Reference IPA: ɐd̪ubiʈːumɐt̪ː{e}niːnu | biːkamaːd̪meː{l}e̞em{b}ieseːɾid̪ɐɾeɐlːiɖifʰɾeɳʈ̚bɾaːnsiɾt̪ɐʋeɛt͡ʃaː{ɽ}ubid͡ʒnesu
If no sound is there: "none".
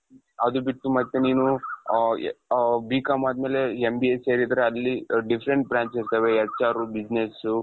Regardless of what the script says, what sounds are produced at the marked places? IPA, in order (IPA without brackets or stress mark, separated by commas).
e, l, b, ɾ